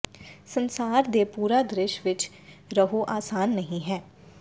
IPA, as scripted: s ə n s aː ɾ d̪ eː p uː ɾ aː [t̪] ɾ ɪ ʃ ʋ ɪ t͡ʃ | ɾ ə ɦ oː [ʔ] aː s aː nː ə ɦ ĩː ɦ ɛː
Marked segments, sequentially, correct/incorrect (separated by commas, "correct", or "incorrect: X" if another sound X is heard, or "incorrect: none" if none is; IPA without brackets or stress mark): incorrect: d̪, correct